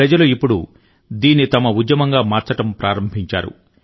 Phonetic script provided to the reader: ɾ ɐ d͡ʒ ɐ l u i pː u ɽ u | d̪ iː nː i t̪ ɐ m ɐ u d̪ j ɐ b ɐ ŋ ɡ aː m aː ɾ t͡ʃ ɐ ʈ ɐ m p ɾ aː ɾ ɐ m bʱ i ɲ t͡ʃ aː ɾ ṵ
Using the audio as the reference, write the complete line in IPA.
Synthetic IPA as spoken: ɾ ɐ d͡ʒ ɐ l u i pː u ɽ u | d̪ iː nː i t̪ ɐ m ɐ u d̪ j ɐ m ɐ ŋ ɡ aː m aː ɾ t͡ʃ ɐ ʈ ɐ m p ɾ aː ɾ ɐ m bʱ i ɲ t͡ʃ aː ɾ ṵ